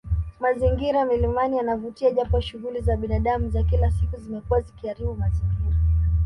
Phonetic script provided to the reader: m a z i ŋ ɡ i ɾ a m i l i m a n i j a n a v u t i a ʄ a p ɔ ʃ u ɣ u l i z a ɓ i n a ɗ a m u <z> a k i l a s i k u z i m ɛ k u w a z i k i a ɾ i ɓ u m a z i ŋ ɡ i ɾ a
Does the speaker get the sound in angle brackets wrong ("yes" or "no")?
no